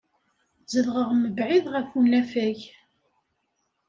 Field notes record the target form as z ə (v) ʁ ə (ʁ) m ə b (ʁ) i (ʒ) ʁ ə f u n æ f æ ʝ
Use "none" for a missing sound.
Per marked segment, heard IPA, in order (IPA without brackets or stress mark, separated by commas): ð, ʁ, ʕ, ð